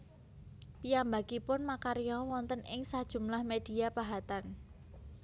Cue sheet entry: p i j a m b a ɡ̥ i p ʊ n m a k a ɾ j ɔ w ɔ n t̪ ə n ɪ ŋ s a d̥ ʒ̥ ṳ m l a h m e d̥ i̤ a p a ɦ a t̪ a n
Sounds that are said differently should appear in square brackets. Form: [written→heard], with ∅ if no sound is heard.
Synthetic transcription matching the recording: p i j a m b a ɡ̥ i p ʊ n m a k a ɾ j ɔ w ɔ n t̪ ə n ɪ ŋ s a d̥ ʒ̥ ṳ m l a h m e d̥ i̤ a p a ɦ a t̪ a n